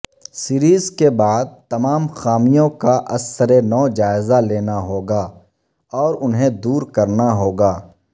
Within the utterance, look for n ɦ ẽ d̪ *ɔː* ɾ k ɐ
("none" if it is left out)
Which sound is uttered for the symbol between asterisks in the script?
uː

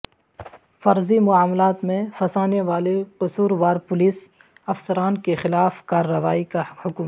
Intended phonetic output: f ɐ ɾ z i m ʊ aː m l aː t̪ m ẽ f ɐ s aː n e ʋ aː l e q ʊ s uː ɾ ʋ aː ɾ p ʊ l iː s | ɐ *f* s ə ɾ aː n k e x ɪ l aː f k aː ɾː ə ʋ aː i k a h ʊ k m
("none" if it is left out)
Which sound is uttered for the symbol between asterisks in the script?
f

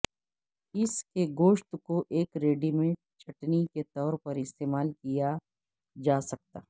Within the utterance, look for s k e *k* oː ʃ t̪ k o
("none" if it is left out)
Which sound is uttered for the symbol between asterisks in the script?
ɡ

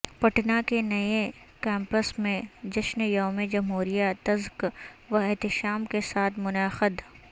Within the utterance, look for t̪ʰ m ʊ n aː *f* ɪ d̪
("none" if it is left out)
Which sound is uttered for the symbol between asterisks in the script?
x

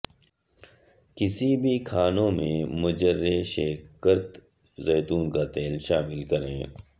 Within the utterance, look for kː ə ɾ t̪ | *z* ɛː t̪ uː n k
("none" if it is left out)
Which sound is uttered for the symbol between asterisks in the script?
z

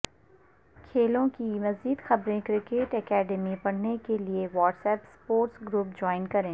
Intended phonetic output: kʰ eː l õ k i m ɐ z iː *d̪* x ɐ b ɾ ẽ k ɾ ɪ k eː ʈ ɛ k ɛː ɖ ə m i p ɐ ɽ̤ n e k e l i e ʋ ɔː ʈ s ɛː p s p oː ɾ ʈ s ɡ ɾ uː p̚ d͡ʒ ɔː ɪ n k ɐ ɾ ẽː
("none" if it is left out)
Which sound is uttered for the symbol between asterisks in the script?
d̪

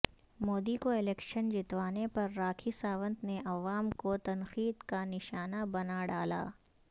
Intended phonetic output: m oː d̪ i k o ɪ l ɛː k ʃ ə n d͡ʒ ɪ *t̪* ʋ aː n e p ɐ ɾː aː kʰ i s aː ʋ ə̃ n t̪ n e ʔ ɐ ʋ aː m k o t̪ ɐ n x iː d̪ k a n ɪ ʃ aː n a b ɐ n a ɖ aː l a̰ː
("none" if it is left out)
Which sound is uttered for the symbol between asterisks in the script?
t̪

